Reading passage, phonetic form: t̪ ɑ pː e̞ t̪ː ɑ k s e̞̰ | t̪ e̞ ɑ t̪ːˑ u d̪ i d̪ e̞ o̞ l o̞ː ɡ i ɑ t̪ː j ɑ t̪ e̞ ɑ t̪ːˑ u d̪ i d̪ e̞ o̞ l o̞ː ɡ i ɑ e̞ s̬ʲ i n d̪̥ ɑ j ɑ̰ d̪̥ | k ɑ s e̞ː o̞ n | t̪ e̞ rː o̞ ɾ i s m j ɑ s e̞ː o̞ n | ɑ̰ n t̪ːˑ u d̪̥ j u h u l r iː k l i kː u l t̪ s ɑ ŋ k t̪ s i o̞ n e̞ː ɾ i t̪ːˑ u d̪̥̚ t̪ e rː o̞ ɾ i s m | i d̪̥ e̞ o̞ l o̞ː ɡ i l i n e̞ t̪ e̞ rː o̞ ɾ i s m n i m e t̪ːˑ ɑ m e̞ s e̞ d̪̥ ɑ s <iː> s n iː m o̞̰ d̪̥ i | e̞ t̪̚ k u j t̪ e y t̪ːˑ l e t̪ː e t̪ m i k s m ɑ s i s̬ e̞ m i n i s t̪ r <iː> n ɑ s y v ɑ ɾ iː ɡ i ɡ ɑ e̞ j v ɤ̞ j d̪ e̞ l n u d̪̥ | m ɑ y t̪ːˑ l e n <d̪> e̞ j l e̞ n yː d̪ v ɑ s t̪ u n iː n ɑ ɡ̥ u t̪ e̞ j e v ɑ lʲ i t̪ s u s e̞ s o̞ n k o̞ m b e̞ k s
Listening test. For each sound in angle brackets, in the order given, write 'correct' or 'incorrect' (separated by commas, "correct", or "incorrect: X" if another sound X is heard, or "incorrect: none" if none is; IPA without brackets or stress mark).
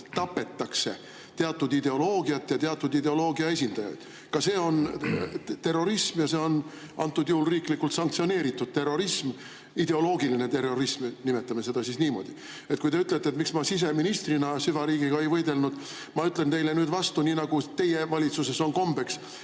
incorrect: i, incorrect: i, incorrect: t̪